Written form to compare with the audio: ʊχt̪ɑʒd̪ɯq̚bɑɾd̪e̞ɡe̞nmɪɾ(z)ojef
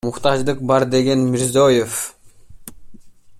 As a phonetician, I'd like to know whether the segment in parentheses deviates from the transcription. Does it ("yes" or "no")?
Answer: no